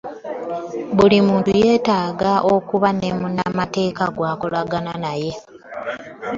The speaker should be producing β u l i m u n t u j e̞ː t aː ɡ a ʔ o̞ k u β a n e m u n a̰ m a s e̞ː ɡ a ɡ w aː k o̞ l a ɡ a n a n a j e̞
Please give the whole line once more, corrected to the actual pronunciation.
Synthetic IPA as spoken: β u l i m uː n t u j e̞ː t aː ɡ a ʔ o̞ k u β a n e m u n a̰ m a t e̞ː k a ɡ w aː k o̞ l a ɡ a n a n a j e̞